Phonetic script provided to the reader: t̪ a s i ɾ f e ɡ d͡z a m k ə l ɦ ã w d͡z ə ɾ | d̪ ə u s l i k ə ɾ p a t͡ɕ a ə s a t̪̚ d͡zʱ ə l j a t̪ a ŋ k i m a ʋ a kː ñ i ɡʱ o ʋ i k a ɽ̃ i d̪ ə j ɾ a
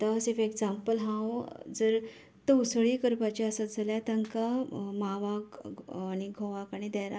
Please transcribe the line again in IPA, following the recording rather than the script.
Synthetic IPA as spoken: t̪ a s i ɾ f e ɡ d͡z a m p ə l ɦ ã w d͡z ə ɾ | t̪ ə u s ɭ i k ə ɾ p a t͡ɕ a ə s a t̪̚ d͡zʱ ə l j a t̪ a ŋ k a m a ʋ a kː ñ i ɡʱ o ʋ a k a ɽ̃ i d̪ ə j ɾ a